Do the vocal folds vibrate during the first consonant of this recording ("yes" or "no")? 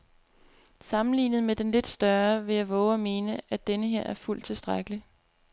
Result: no